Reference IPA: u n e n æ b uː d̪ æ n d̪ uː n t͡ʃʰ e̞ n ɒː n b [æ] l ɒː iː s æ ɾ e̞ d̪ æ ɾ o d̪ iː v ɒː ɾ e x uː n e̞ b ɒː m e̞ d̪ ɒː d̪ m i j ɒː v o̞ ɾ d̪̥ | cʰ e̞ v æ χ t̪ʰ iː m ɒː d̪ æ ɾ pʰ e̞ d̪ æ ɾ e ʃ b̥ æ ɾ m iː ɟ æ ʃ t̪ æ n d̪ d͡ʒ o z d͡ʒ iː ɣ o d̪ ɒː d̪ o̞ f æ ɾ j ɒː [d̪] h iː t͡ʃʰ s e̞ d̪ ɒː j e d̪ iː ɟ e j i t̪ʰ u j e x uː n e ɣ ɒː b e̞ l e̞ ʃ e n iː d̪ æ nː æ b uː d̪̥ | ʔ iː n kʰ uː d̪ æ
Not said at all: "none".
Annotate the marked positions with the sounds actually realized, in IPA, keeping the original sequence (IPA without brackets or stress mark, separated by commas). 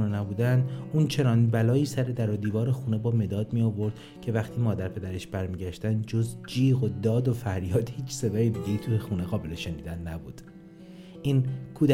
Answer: æ, d̪